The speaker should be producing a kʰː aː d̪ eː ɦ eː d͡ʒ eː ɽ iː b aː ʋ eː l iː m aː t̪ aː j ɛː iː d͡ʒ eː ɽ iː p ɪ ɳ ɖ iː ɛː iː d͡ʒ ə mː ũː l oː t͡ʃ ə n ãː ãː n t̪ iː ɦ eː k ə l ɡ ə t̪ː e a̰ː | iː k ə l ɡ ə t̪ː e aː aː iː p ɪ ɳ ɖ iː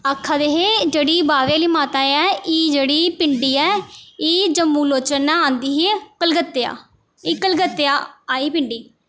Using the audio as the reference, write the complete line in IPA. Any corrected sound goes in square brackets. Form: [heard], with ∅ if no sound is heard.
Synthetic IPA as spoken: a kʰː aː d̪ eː ɦ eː d͡ʒ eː ɽ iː b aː ʋ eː l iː m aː t̪ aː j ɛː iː d͡ʒ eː ɽ iː p ɪ ɳ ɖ iː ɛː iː d͡ʒ ə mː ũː l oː t͡ʃ ə n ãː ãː n [d̪] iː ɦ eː k ə l ɡ ə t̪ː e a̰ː | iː k ə l ɡ ə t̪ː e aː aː iː p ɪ ɳ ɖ iː